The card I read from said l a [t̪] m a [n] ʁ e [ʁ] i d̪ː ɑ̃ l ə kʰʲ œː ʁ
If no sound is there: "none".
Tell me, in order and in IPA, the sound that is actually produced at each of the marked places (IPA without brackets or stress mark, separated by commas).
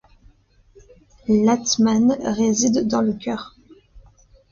t̪, n, z